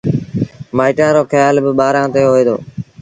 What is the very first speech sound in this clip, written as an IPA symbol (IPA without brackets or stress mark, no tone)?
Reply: m